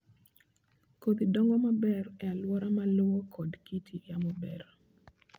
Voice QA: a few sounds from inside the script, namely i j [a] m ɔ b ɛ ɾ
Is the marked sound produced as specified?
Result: yes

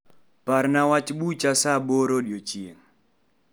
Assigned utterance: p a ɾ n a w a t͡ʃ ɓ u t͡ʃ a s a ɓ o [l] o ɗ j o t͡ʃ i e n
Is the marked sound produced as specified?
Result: no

